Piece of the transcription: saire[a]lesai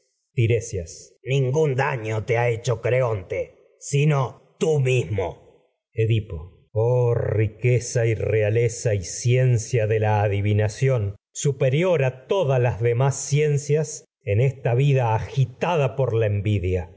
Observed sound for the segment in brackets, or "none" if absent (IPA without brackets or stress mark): a